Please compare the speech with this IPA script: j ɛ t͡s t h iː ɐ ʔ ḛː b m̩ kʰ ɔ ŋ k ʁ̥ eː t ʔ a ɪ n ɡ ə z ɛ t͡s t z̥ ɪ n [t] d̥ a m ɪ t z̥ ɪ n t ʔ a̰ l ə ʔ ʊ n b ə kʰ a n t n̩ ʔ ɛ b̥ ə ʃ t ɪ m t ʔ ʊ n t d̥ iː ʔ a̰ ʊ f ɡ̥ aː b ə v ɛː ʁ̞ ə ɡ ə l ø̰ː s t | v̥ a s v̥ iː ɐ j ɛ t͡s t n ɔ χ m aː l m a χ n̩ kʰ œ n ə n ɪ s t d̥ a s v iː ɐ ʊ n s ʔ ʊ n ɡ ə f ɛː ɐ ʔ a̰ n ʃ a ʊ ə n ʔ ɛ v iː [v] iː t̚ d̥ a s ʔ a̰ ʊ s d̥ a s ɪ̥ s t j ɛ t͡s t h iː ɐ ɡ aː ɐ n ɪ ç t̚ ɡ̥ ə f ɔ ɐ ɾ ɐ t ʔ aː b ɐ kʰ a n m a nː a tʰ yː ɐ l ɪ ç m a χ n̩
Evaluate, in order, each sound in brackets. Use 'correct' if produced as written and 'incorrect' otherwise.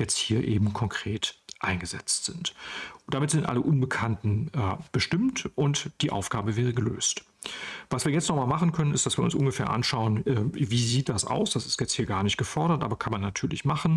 correct, incorrect: z

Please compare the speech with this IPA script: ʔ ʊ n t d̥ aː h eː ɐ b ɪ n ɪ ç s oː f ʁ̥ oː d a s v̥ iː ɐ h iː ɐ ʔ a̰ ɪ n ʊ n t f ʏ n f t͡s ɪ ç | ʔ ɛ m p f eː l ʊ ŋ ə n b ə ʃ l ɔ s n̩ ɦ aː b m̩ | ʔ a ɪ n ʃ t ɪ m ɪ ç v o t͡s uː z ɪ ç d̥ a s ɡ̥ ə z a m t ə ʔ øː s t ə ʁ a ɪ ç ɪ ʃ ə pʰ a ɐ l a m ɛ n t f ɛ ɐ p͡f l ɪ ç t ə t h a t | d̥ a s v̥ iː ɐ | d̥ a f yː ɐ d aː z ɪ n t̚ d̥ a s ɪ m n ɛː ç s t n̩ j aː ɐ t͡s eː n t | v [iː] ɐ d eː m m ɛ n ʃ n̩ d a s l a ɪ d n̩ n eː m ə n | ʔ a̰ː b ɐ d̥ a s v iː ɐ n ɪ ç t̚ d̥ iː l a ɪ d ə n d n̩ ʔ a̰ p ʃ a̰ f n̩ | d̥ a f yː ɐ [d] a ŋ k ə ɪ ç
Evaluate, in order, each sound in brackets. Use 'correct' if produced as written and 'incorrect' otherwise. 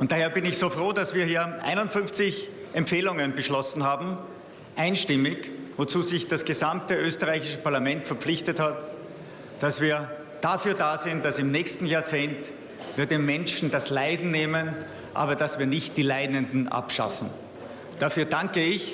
correct, correct

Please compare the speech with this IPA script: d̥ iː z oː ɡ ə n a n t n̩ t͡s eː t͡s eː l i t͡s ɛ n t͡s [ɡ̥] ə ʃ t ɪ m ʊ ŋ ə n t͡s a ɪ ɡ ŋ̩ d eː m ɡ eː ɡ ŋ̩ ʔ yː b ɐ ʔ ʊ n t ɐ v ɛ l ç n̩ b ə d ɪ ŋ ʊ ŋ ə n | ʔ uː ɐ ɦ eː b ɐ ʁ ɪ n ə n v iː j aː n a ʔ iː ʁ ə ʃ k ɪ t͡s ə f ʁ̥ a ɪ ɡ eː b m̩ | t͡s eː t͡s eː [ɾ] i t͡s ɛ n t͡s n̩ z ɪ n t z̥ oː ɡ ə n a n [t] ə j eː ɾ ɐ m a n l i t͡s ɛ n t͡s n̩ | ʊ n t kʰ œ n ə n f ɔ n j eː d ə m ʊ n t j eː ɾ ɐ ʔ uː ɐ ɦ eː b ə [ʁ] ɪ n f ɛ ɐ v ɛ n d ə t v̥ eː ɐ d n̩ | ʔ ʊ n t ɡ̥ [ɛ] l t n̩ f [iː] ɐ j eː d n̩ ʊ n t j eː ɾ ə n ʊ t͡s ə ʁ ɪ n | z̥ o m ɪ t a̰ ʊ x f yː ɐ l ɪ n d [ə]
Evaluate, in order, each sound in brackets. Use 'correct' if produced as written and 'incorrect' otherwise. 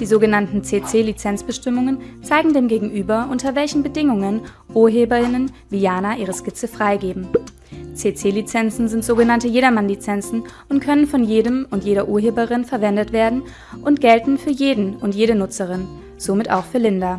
incorrect: b̥, incorrect: l, correct, correct, correct, incorrect: yː, incorrect: a

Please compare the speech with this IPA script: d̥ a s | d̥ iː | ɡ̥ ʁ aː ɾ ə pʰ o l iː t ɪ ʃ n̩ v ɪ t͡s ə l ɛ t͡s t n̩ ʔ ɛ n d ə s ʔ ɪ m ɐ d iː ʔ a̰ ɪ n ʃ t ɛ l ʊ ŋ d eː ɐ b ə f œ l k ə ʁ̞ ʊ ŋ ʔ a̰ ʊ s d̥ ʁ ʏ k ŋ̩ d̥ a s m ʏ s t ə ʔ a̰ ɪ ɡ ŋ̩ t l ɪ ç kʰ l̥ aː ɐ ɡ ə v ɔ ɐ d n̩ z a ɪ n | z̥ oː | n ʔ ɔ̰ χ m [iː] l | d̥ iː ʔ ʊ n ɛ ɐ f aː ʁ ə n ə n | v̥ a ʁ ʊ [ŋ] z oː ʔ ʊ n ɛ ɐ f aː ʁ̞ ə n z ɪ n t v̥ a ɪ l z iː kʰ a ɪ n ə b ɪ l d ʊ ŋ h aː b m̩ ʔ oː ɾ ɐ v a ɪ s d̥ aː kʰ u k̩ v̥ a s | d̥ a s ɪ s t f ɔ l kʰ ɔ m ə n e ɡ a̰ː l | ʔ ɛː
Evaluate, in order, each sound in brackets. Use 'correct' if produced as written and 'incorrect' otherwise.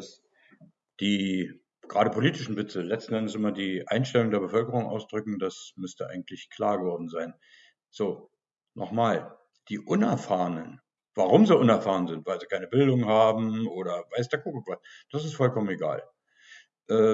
incorrect: aː, incorrect: m

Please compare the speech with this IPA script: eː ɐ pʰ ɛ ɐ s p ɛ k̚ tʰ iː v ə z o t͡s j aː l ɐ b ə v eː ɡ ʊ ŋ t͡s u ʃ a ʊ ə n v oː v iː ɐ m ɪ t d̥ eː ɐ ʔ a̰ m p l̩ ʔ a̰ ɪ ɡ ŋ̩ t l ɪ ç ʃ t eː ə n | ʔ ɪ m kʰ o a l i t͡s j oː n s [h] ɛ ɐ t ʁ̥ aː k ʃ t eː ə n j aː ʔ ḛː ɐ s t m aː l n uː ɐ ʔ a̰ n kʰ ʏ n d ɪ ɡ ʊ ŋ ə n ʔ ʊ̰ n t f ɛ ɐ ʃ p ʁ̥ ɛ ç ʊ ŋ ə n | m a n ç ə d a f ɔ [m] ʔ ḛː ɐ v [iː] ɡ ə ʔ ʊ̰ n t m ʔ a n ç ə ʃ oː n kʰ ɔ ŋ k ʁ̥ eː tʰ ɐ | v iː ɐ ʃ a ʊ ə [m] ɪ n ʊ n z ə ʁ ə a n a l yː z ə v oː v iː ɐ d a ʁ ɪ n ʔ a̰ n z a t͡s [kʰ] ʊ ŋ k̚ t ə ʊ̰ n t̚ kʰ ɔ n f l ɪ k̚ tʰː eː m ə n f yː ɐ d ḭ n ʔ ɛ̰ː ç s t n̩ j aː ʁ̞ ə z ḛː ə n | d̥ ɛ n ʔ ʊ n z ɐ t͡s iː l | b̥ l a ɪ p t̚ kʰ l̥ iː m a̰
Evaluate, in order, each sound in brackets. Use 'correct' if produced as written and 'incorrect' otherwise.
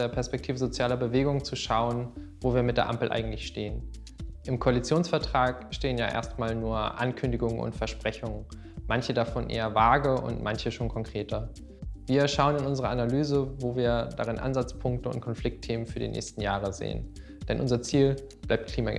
incorrect: f, incorrect: n, incorrect: aː, incorrect: n, incorrect: pʰ

